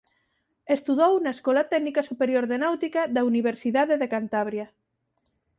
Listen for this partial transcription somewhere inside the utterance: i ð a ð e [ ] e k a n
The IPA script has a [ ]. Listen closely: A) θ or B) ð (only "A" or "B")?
B